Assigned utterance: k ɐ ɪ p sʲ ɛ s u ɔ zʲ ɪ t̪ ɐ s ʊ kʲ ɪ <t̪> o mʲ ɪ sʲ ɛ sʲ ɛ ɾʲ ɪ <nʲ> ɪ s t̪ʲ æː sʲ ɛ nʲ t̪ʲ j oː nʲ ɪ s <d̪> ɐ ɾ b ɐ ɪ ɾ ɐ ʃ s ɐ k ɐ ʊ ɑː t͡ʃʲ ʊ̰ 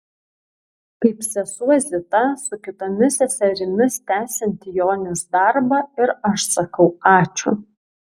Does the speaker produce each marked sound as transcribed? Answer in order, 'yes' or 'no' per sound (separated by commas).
yes, no, yes